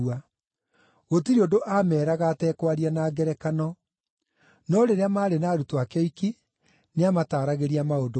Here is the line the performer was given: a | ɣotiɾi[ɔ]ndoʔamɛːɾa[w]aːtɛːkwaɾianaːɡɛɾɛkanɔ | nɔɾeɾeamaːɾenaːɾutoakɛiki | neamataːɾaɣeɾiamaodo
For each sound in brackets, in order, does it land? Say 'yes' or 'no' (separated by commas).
no, no